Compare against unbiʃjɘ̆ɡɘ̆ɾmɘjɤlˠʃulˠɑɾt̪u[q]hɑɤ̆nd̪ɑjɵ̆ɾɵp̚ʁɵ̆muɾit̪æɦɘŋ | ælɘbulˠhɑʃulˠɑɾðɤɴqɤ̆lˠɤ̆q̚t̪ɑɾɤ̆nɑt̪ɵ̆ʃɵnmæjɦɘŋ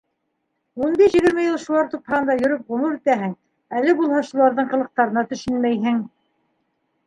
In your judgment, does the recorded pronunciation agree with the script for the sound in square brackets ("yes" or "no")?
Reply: no